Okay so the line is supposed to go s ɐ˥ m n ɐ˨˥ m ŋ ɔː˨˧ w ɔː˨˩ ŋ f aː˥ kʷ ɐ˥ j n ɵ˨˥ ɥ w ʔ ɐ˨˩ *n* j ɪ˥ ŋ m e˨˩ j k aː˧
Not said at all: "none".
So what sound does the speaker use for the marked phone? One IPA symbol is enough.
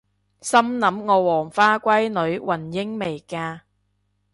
n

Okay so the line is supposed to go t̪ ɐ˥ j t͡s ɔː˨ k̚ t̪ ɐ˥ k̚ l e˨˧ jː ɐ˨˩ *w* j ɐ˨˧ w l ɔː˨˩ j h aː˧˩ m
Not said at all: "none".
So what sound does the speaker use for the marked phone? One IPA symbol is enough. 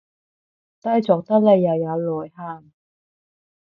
w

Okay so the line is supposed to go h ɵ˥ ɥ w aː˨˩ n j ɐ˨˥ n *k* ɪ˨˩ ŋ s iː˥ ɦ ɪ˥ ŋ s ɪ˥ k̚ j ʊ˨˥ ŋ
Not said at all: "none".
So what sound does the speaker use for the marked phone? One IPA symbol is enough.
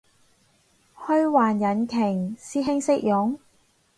kʰ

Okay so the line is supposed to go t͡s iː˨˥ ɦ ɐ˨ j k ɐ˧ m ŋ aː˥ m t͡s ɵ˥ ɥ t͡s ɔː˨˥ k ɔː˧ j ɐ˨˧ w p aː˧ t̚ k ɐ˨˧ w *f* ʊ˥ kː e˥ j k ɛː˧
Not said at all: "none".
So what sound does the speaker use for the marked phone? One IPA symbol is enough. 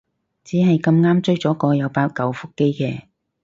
f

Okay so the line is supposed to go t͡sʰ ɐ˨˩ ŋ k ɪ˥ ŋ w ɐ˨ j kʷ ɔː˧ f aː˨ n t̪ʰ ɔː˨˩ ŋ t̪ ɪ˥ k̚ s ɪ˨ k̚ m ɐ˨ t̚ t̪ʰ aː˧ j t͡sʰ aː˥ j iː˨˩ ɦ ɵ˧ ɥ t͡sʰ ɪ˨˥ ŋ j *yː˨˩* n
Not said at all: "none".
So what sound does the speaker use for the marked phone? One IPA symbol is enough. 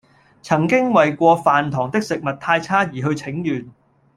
yː˨˩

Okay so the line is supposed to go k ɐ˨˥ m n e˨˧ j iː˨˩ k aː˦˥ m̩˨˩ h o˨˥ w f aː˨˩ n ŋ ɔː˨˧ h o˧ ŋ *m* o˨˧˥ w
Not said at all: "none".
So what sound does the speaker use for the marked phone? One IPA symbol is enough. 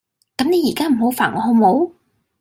m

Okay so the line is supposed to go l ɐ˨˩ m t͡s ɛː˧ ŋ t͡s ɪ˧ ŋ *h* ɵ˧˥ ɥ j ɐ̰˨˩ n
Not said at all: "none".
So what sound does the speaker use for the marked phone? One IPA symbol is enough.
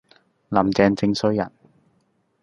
s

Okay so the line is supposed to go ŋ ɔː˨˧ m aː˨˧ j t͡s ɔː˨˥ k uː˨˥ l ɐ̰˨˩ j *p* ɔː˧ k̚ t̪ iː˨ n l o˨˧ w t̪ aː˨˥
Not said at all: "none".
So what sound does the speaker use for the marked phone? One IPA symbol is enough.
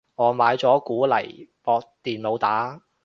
p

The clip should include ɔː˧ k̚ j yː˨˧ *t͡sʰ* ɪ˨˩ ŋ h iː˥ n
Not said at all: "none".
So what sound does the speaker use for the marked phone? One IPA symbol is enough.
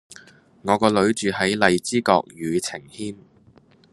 t͡sʰ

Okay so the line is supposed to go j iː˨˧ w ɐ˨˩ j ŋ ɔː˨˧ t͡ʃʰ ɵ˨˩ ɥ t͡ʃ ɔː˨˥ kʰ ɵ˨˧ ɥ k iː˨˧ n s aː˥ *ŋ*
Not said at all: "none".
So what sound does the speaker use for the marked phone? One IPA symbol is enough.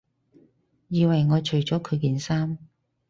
m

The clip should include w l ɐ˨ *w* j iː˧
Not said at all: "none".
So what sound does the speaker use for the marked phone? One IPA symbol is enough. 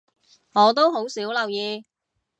w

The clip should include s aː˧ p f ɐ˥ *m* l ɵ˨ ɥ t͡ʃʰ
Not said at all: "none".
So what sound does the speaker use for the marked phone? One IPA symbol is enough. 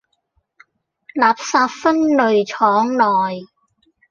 n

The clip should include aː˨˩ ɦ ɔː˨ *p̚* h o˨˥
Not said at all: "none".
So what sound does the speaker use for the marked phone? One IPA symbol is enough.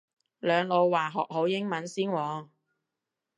k̚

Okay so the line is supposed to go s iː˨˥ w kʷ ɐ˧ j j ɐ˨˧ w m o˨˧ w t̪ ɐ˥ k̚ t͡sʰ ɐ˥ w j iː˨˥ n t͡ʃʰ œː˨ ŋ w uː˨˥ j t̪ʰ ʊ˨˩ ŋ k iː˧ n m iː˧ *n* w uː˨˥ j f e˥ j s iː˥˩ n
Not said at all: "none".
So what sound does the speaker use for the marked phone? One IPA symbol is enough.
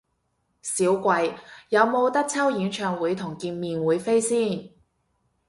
n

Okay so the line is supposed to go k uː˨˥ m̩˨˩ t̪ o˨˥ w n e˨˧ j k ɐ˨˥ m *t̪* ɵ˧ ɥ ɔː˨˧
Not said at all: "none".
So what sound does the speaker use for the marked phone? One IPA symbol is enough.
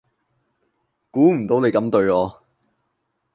t̪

